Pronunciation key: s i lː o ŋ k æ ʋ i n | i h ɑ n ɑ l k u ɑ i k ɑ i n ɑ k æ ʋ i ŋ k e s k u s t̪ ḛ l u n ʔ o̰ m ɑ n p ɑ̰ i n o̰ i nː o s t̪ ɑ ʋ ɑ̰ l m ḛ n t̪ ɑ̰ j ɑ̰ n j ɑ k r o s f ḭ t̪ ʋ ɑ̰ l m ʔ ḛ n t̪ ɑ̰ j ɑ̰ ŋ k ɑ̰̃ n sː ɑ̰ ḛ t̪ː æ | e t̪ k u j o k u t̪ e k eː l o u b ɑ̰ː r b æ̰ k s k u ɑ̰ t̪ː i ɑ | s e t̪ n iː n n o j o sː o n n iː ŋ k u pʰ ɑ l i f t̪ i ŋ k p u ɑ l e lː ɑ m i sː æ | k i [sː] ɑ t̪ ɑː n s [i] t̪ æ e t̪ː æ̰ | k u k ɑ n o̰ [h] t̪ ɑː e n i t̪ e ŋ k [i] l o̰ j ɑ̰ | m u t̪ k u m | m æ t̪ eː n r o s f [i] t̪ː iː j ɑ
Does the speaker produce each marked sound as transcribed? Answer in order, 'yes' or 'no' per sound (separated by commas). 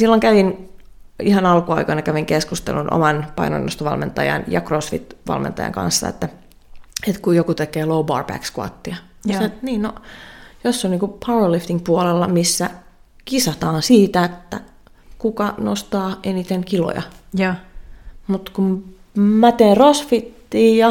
no, no, no, yes, yes